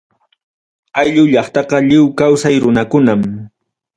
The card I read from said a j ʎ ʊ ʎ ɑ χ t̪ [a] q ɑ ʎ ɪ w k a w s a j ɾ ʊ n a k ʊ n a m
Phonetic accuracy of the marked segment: incorrect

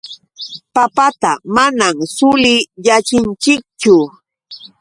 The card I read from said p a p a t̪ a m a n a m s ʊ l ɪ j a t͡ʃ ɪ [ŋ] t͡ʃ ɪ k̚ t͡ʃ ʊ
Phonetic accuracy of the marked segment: incorrect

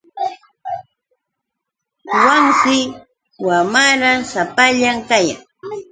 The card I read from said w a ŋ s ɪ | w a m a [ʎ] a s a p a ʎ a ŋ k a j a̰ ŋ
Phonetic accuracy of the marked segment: incorrect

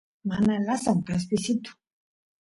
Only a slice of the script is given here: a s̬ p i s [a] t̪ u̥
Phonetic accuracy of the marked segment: incorrect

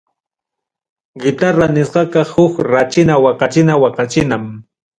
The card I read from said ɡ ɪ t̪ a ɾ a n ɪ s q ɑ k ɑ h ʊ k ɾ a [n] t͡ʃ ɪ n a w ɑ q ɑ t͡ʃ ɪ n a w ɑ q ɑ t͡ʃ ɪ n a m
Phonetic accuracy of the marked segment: incorrect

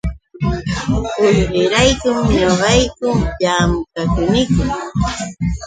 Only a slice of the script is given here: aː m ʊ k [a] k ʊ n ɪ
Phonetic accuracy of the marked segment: correct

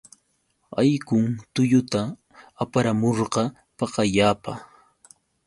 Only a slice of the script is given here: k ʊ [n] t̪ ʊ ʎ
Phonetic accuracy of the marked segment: incorrect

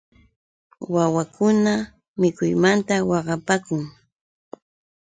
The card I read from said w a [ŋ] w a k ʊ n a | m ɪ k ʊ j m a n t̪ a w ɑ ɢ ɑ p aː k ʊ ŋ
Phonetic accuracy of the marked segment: incorrect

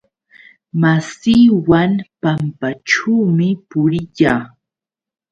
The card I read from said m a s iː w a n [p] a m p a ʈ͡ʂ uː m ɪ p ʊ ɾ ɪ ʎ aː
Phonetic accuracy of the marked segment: correct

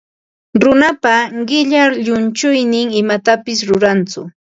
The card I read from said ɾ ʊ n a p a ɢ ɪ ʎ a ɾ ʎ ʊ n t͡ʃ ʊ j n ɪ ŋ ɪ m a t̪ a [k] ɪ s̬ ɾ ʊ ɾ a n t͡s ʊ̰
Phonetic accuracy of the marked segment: incorrect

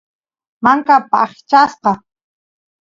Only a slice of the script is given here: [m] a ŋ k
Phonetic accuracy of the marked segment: correct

